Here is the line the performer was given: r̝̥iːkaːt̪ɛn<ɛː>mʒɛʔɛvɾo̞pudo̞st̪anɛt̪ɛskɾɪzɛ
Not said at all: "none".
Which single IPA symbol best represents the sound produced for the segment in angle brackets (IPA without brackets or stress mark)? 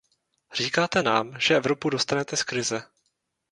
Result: aː